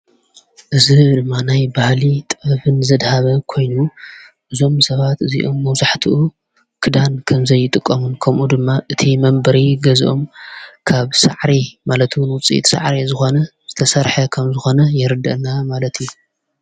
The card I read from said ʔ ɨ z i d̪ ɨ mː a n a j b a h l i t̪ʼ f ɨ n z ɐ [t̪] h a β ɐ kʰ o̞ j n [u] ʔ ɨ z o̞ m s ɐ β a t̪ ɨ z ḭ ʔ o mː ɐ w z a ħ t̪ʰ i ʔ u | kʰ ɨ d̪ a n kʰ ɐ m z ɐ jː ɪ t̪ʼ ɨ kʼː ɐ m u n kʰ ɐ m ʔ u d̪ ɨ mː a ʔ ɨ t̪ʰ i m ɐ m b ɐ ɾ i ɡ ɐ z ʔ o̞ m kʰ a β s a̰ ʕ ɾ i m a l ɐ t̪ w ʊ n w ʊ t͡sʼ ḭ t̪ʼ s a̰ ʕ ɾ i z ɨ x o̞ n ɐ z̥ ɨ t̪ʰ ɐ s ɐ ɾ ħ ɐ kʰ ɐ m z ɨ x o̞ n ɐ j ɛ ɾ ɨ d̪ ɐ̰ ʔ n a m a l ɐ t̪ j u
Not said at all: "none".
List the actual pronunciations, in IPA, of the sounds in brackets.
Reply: d̪, u

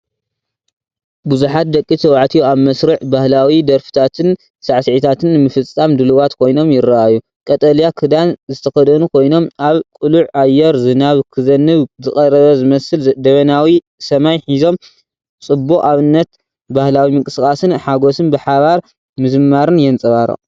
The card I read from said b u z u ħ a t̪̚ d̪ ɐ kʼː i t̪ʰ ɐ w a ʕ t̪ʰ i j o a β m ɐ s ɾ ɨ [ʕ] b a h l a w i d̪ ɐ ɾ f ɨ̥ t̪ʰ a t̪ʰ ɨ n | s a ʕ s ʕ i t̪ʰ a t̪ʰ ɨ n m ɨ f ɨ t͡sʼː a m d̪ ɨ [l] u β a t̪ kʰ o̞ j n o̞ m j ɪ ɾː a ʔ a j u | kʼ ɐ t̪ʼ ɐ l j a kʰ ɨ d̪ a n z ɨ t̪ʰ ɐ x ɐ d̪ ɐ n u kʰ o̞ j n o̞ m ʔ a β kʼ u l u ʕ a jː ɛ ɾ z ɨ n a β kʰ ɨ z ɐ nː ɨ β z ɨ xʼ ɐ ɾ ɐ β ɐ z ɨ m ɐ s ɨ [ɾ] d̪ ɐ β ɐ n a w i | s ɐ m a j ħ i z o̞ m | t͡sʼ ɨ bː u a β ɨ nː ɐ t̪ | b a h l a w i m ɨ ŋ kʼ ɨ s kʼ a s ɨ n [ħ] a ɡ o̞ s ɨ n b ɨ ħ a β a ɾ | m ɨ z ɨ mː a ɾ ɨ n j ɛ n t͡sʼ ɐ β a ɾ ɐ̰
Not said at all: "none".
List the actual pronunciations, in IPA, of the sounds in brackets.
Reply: ʕ, l, l, ħ

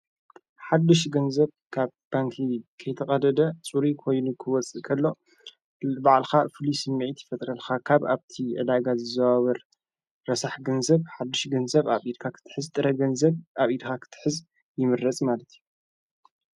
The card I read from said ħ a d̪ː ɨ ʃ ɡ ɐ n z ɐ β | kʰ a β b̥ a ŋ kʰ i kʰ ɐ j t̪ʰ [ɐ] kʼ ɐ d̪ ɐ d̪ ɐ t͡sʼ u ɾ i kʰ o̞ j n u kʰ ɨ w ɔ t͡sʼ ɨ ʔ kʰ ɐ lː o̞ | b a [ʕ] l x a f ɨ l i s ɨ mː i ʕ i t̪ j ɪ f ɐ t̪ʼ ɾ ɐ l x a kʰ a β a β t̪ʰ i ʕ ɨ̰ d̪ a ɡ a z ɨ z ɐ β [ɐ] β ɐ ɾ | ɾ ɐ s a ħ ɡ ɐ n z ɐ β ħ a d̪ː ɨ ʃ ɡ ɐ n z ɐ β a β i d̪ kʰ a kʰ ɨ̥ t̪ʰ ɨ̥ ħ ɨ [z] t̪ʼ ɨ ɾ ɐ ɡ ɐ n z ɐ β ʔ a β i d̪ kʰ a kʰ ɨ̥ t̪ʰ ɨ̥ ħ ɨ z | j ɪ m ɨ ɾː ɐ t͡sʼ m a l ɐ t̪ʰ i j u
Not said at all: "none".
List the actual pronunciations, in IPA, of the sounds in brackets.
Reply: ɐ, ʕ, a, z

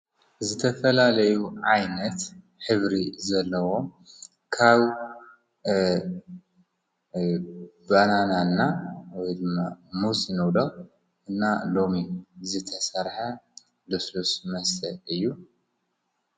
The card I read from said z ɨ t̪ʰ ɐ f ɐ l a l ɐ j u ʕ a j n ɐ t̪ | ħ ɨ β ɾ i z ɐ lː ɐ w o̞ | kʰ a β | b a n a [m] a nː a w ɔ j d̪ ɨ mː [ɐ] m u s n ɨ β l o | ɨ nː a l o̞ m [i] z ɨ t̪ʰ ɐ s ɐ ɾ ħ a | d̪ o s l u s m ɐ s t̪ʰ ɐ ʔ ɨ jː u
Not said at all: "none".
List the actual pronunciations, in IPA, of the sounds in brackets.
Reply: n, a, i

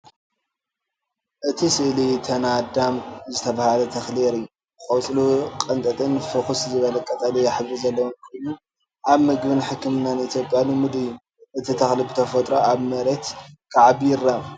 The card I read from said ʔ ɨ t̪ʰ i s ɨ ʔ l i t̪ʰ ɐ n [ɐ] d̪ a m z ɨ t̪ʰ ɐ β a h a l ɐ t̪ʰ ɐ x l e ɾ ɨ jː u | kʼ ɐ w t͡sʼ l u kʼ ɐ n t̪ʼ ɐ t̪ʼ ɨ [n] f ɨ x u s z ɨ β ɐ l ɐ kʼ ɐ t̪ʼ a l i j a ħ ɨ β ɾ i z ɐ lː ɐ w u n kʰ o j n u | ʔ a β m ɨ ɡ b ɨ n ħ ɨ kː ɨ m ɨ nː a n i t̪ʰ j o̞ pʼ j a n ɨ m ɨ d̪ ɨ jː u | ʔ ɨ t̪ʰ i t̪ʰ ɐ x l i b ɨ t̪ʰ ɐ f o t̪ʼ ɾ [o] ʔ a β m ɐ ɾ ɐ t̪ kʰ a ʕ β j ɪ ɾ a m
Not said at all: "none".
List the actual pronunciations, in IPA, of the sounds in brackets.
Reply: a, n, o

